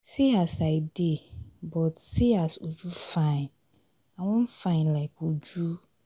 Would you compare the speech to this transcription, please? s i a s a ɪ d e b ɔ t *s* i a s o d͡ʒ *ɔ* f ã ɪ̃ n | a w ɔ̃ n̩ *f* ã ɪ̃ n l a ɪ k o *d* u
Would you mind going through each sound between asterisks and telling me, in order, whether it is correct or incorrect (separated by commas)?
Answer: correct, incorrect, correct, incorrect